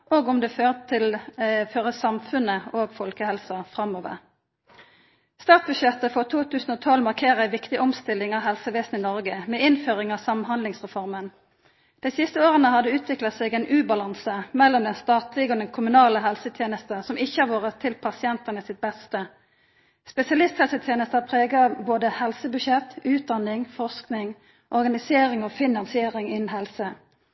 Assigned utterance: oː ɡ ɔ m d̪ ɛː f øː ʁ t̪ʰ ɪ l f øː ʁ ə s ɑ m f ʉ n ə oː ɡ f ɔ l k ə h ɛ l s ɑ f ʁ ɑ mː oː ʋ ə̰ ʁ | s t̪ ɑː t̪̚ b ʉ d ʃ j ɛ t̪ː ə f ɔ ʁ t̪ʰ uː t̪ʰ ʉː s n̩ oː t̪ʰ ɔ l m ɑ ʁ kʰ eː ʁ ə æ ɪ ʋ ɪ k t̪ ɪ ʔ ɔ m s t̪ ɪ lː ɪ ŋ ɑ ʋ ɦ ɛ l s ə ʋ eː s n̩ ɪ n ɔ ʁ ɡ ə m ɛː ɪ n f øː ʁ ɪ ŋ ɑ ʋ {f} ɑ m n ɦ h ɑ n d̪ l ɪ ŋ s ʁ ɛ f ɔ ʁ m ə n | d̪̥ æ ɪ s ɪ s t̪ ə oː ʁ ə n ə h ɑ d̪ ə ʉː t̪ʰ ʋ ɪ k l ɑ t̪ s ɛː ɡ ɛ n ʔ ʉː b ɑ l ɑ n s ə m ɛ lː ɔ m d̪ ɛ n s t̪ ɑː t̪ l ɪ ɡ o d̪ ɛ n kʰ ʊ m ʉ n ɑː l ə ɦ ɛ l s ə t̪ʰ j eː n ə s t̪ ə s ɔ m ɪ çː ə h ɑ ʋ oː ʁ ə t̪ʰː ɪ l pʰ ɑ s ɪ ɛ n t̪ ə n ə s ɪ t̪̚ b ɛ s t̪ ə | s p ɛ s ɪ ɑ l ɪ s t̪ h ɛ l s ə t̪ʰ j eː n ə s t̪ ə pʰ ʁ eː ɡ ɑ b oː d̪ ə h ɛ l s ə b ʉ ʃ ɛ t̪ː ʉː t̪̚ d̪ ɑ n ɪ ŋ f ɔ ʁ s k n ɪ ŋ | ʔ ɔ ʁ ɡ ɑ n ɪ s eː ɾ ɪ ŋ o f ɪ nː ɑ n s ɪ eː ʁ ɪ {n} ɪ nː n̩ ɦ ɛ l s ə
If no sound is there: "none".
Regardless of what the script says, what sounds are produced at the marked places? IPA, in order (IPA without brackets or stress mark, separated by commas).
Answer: s, ŋ